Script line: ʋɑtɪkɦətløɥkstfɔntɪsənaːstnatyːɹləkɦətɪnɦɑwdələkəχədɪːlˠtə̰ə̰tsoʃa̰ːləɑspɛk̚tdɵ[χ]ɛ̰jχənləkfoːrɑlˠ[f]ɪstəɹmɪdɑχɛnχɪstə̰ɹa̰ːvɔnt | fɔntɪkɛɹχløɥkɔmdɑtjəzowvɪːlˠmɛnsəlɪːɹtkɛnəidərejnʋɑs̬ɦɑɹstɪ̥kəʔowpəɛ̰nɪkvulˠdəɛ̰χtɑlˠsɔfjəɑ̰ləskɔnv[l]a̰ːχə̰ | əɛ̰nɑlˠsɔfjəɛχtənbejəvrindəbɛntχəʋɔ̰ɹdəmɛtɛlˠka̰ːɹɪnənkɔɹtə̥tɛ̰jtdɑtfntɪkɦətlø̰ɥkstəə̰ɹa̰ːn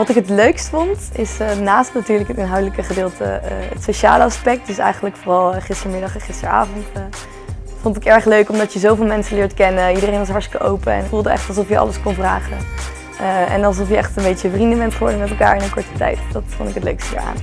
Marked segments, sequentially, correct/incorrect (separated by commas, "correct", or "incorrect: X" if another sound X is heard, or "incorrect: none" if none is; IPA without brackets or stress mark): incorrect: s, incorrect: χ, incorrect: r